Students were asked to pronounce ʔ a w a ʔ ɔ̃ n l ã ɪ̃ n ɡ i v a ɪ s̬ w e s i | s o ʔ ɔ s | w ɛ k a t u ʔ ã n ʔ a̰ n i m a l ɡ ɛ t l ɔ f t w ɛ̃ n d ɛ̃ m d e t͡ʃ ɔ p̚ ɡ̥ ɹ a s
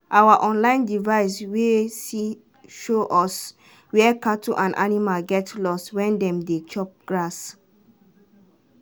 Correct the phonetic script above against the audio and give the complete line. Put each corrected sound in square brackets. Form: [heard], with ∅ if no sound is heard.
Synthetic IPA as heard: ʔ a w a ʔ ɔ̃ n l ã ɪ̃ n [d] i v a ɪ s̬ w e s i | [ʃ] o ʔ ɔ s | w ɛ k a t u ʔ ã n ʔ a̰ n i m a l ɡ ɛ t l ɔ [s] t w ɛ̃ n d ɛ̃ m d e t͡ʃ ɔ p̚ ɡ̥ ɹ a s